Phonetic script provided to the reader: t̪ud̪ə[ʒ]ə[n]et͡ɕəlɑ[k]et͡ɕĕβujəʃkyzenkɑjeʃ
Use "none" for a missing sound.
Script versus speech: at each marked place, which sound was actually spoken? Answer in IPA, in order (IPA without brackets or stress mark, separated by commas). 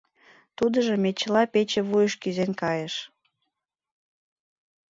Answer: ʒ, m, p